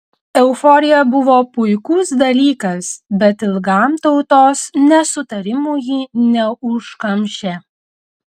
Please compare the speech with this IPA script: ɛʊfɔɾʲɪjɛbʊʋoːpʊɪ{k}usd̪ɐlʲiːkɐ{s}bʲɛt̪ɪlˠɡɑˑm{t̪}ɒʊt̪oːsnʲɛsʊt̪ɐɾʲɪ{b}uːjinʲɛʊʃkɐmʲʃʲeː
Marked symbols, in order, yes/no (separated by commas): yes, yes, yes, no